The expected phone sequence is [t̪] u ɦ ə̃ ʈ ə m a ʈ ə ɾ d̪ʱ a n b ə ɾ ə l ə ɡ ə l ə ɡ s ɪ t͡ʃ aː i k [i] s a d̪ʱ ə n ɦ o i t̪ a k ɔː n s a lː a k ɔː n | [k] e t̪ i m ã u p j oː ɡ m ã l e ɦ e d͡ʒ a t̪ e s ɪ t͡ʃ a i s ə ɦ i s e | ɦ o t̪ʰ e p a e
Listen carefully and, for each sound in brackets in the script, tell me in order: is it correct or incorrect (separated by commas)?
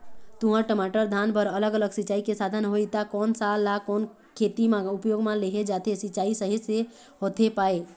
correct, incorrect, incorrect